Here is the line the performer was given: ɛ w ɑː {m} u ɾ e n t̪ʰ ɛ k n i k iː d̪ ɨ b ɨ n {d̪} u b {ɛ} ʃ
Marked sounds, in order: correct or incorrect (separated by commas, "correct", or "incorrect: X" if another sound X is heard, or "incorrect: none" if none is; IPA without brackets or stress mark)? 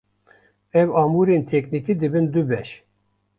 correct, correct, correct